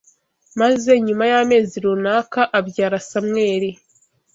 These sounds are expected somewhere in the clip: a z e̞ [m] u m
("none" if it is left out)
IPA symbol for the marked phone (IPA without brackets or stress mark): ɲ